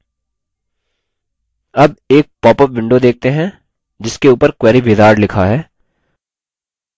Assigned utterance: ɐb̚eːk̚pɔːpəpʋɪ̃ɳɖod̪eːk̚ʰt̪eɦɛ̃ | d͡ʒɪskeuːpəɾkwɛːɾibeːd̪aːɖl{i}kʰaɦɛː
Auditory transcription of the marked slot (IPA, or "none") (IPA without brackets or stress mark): ɪ